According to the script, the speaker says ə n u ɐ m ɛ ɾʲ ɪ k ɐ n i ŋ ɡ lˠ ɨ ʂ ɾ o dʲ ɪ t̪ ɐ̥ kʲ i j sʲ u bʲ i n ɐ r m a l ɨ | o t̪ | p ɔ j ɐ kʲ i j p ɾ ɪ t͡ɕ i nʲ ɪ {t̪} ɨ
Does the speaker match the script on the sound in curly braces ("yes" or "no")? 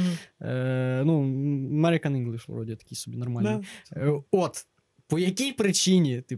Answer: yes